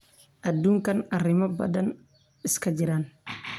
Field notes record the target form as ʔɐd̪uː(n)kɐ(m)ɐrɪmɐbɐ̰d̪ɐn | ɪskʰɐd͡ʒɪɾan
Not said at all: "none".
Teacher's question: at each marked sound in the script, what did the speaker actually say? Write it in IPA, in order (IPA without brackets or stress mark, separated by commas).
ŋ, n